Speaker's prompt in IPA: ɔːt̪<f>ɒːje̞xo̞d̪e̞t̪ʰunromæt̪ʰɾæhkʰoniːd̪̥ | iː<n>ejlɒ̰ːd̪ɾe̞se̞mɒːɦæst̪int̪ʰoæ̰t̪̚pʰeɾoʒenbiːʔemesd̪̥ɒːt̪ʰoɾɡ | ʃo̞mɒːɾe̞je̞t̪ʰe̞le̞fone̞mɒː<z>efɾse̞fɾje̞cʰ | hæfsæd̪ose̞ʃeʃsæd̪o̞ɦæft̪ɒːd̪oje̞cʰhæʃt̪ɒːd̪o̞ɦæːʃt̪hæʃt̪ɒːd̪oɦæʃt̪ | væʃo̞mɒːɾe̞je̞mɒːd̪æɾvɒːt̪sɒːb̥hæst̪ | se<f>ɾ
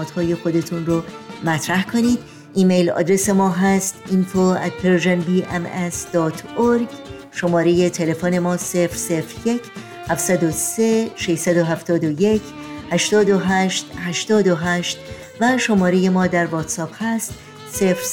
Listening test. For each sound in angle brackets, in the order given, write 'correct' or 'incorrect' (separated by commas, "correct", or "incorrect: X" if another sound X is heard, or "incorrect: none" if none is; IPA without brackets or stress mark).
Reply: incorrect: h, incorrect: m, incorrect: s, correct